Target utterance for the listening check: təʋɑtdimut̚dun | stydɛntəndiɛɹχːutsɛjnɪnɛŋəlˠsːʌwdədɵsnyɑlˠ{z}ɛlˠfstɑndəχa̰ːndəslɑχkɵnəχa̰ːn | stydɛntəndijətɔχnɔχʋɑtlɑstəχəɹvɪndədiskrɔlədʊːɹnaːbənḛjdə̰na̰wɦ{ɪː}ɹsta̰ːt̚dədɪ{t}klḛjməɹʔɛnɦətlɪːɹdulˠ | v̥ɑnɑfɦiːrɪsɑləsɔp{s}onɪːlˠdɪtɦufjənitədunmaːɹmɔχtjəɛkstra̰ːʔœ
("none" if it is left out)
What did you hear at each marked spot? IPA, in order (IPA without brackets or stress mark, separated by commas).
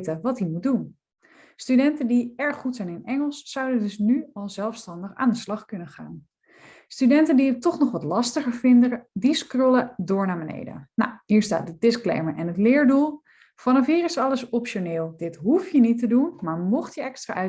z, iː, s, ʃ